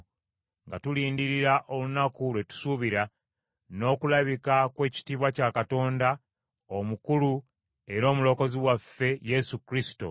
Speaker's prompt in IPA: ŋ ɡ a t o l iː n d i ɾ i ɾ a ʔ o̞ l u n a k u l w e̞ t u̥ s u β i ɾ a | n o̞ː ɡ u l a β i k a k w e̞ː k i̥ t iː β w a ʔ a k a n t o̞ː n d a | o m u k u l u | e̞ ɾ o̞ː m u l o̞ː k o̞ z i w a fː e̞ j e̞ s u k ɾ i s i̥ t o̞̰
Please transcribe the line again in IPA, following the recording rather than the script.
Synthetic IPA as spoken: ŋ ɡ a t u l iː n d i ɾ i ɾ a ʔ o̞ l u n a k u l w e̞ t u̥ s u β i ɾ a | n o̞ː k u l a β i k a k w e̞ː c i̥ t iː β w a c a k a t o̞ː n d a | o m u k u l u | e̞ ɾ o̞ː m u l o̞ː k o̞ z i w a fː e̞ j e̞ s u k ɾ i s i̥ t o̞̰